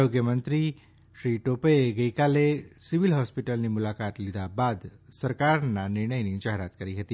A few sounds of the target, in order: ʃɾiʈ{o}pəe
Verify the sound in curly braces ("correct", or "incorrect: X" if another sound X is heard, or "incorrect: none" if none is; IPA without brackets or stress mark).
correct